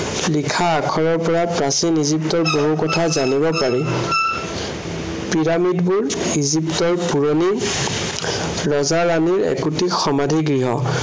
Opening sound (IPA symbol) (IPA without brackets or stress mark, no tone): l